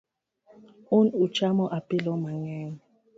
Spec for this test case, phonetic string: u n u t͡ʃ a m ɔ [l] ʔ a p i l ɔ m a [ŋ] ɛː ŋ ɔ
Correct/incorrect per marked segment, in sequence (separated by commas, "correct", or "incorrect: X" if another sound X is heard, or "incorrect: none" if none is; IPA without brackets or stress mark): incorrect: none, correct